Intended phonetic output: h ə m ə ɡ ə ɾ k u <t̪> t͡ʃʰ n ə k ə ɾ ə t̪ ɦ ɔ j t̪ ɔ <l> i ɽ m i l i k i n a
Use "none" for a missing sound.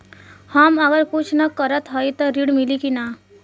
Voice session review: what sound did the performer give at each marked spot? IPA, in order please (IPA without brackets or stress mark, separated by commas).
none, ɾ